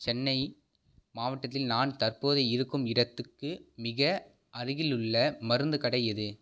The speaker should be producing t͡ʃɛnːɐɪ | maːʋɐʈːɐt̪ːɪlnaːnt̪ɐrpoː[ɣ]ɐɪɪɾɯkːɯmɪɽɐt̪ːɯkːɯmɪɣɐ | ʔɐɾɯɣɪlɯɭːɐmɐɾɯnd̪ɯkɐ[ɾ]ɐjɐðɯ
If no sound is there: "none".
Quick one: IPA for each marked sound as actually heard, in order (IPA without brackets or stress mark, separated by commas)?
ð, ɽ